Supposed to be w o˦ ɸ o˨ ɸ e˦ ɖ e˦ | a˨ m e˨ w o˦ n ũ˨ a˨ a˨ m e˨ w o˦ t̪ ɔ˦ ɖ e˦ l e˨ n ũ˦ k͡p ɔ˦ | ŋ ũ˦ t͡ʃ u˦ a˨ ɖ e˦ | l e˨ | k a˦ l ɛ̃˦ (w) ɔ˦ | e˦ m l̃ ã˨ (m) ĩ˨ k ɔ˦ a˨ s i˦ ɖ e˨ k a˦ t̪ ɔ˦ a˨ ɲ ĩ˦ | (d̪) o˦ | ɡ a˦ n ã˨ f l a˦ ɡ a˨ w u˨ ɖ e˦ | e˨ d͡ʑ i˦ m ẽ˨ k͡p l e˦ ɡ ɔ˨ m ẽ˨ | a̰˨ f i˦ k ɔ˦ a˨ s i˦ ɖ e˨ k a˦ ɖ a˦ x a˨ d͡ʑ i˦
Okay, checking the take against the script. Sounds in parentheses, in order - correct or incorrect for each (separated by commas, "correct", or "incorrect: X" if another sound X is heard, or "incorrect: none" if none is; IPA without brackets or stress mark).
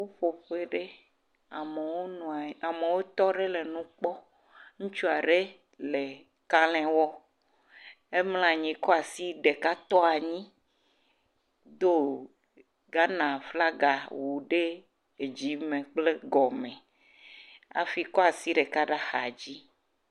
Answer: correct, incorrect: ɲ, correct